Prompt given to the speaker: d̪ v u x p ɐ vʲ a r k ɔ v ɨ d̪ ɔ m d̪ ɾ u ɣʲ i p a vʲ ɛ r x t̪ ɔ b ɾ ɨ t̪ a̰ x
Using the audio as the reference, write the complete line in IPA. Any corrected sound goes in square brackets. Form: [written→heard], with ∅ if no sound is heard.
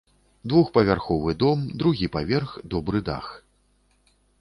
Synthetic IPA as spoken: d̪ v u x p ɐ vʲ a r [k→x] ɔ v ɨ d̪ ɔ m d̪ ɾ u ɣʲ i p a vʲ ɛ r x [t̪→d̪] ɔ b ɾ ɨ [t̪→d̪] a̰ x